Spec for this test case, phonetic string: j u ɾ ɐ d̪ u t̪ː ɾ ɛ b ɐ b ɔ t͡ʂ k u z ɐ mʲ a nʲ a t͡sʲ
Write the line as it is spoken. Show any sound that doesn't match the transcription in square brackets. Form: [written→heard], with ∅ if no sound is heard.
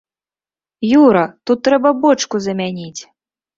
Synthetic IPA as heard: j u ɾ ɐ [d̪→t̪] u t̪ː ɾ ɛ b ɐ b ɔ t͡ʂ k u z ɐ mʲ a nʲ [a→i] t͡sʲ

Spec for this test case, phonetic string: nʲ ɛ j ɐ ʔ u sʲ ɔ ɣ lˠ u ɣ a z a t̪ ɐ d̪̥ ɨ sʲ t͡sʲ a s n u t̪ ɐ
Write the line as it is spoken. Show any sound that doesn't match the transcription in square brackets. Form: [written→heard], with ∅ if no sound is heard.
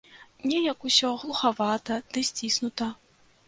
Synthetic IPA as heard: nʲ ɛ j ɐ [ʔ→k] u sʲ ɔ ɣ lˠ u [ɣ→x] a [z→v] a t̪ ɐ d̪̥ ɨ sʲ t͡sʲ [a→i] s n u t̪ ɐ

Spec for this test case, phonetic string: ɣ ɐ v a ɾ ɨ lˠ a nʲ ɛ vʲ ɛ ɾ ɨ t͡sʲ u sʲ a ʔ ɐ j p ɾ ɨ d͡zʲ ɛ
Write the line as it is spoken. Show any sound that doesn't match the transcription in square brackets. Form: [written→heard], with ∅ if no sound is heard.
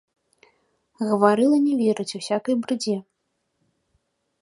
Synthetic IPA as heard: ɣ ɐ v a ɾ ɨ lˠ [a→ɐ] nʲ ɛ vʲ ɛ ɾ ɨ t͡sʲ u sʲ a [ʔ→k] ɐ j [p→b] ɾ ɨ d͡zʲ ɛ

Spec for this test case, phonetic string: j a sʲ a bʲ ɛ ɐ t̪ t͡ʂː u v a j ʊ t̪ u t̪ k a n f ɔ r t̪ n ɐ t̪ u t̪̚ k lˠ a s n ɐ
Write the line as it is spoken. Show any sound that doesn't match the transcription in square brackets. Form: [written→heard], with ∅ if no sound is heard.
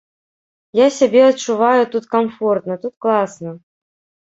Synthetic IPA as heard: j a sʲ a bʲ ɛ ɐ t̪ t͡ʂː u v a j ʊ t̪ u t̪ k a [n→m] f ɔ r t̪ n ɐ t̪ u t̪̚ k lˠ a s n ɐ

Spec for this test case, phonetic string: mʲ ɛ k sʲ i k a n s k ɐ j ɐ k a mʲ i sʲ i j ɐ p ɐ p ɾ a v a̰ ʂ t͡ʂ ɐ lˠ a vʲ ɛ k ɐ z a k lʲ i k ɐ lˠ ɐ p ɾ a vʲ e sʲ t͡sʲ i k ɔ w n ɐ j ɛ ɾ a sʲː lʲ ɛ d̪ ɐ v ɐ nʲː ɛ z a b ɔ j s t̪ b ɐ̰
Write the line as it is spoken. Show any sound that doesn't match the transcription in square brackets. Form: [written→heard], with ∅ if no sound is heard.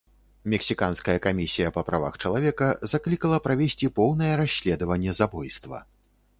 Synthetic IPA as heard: mʲ ɛ k sʲ i k a n s k ɐ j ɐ k a mʲ i sʲ i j ɐ p ɐ p ɾ a v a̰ [ʂ→x] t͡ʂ ɐ lˠ a vʲ ɛ k ɐ z a k lʲ i k ɐ lˠ ɐ p ɾ a vʲ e sʲ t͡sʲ i [k→p] ɔ w n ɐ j ɛ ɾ a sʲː lʲ ɛ d̪ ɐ v ɐ nʲː ɛ z a b ɔ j s t̪ [b→v] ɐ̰

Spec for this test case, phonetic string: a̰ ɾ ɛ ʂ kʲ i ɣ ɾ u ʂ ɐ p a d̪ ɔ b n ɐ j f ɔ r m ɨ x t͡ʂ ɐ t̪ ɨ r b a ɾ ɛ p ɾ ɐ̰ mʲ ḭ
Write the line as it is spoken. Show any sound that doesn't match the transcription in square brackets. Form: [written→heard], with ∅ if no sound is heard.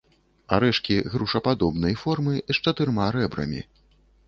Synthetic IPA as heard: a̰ ɾ ɛ ʂ kʲ i ɣ ɾ u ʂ ɐ p a d̪ ɔ b n ɐ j f ɔ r m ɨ [x→ʂ] t͡ʂ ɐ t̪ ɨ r [b→m] a ɾ ɛ [p→b] ɾ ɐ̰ mʲ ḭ

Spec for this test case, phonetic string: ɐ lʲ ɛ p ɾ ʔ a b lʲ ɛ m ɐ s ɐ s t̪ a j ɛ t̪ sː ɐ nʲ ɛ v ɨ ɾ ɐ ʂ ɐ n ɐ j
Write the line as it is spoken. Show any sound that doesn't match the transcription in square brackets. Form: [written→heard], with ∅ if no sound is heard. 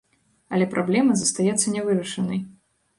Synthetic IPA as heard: ɐ lʲ ɛ p ɾ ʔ a b lʲ ɛ m ɐ [s→z] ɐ s t̪ a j ɛ t̪ sː ɐ nʲ ɛ v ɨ ɾ ɐ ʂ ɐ n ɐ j

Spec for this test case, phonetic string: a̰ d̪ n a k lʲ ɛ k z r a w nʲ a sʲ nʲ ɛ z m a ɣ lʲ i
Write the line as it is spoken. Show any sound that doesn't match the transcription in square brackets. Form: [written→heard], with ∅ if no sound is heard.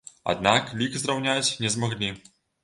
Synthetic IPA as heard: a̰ d̪ n a k lʲ [ɛ→i] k z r a w nʲ a [sʲ→t͡sʲ] nʲ ɛ z m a ɣ lʲ i

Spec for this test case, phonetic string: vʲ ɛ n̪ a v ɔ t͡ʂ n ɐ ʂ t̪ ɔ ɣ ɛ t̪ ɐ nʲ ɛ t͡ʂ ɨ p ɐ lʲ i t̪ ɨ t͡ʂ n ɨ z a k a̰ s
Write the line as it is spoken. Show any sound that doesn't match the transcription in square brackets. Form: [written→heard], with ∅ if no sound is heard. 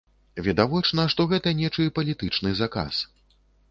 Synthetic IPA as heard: vʲ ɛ [n̪→d̪] a v ɔ t͡ʂ n ɐ ʂ t̪ ɔ ɣ ɛ t̪ ɐ nʲ ɛ t͡ʂ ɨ p ɐ lʲ i t̪ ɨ t͡ʂ n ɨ z a k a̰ s

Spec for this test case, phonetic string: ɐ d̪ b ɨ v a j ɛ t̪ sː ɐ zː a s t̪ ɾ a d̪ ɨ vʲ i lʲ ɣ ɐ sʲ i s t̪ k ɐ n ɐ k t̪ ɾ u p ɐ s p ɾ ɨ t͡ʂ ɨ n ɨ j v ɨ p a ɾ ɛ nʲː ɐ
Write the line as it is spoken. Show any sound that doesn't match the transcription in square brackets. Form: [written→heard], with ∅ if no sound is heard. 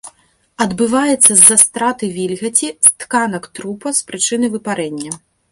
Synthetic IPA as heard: ɐ d̪ b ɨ v a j ɛ t̪ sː ɐ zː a s t̪ ɾ a [d̪→t̪] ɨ vʲ i lʲ ɣ ɐ [sʲ→t͡sʲ] i s t̪ k [ɐ→a] n ɐ k t̪ ɾ u p ɐ s p ɾ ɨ t͡ʂ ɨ n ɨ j v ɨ p a ɾ ɛ nʲː ɐ

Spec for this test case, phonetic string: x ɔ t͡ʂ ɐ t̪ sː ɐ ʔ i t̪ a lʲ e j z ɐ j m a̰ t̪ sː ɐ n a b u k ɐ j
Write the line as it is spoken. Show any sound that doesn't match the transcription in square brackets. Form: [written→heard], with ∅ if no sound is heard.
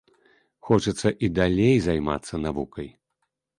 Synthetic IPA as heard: x ɔ t͡ʂ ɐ t̪ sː ɐ ʔ i [t̪→d̪] a lʲ e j z [ɐ→a] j m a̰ t̪ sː ɐ n a [b→v] u k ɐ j

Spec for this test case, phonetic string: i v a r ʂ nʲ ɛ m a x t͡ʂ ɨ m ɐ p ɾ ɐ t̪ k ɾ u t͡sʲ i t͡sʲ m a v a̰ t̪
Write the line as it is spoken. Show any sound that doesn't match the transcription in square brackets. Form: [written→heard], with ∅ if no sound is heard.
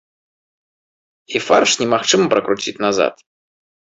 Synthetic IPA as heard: i [v→f] a r ʂ nʲ ɛ m a x t͡ʂ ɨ m ɐ p ɾ ɐ [t̪→∅] k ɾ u t͡sʲ i t͡sʲ [m→n] a [v→z] a̰ t̪

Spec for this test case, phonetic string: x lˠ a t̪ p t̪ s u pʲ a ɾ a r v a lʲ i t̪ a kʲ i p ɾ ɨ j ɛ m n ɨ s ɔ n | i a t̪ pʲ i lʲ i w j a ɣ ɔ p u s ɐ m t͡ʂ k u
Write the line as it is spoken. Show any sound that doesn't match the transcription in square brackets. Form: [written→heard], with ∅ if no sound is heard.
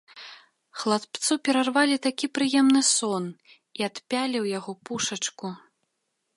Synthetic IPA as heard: x lˠ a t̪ p t̪ s u pʲ [a→ɛ] ɾ a r v a lʲ i t̪ a kʲ i p ɾ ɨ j ɛ m n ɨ s ɔ n | i a t̪ pʲ [i→a] lʲ i w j a ɣ ɔ p u [s→ʂ] ɐ [m→∅] t͡ʂ k u

